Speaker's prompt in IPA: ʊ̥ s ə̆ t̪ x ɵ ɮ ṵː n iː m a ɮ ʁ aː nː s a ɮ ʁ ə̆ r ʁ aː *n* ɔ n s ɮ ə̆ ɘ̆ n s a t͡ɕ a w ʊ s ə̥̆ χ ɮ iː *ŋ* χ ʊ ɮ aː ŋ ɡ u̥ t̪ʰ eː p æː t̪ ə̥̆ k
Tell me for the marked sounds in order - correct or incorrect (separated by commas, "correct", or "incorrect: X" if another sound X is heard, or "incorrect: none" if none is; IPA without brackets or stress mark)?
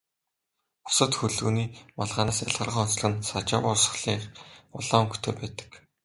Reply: incorrect: none, incorrect: none